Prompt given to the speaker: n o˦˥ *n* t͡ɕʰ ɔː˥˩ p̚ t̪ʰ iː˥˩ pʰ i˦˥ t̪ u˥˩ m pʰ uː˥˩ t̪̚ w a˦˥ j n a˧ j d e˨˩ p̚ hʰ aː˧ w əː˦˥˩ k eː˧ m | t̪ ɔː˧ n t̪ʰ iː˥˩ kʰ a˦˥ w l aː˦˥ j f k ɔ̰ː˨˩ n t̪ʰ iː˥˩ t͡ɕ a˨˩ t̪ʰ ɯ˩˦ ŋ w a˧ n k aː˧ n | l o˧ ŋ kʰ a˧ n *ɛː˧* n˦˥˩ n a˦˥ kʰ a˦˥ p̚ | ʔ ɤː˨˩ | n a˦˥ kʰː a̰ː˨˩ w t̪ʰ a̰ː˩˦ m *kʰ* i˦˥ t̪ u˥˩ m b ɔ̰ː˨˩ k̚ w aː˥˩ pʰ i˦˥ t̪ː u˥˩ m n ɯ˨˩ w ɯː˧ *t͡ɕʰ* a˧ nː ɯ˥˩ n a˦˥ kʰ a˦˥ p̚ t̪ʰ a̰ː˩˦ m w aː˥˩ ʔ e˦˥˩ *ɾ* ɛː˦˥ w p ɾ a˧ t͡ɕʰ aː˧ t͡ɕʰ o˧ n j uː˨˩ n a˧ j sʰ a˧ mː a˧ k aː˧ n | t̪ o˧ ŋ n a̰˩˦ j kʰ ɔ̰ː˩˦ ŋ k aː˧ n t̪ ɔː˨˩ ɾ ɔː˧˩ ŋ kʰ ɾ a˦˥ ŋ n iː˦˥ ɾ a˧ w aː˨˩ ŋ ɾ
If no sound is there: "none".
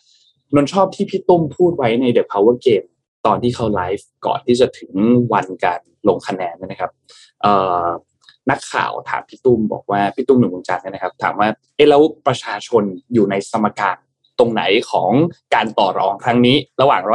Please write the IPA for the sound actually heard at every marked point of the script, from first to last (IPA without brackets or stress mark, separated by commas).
n, ɛː˧, pʰ, t͡ɕ, l